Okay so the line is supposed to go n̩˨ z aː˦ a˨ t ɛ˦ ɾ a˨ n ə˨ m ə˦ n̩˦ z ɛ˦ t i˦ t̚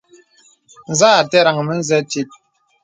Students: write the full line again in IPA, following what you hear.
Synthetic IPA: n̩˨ z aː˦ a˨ t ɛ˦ ɾ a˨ ŋ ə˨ m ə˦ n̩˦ z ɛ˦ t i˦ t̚